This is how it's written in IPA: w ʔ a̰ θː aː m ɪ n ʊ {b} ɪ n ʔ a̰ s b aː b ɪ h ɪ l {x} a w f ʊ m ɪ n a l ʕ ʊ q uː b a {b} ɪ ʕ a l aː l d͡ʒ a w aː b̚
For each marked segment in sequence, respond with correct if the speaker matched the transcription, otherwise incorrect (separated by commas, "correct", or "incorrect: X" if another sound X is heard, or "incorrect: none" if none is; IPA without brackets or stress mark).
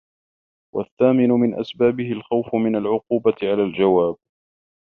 incorrect: m, correct, incorrect: none